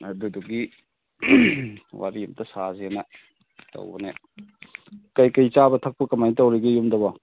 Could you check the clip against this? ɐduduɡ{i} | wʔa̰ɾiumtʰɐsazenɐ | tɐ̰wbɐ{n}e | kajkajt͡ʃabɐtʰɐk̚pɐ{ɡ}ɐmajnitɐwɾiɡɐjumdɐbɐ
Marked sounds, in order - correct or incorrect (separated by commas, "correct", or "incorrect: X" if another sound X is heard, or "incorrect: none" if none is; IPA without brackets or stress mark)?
correct, correct, incorrect: k